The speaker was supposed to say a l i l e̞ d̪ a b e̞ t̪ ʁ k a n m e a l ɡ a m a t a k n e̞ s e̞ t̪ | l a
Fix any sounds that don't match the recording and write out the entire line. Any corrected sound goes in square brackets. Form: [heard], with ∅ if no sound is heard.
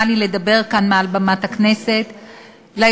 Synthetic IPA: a l i l e̞ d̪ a b e̞ [∅] ʁ k a n m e a l [b] a m a t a k n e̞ s e̞ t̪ | l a